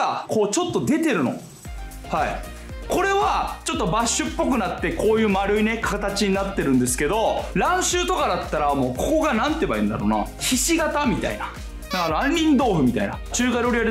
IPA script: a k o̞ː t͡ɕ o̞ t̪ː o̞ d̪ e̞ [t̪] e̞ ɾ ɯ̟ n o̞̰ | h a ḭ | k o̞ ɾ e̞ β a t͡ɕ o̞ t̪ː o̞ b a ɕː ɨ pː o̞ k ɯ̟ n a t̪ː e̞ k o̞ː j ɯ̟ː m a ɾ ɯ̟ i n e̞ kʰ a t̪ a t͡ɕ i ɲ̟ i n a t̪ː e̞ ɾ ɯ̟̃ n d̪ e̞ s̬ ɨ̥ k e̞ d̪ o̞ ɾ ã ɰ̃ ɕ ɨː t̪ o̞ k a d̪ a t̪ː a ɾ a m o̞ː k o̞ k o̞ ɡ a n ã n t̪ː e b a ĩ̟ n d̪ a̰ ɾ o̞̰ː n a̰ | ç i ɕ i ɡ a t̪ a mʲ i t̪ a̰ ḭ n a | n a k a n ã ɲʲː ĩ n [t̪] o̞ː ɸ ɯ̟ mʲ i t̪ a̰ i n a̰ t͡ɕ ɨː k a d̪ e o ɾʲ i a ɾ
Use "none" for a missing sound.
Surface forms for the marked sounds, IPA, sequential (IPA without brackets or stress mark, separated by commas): t̪, d̪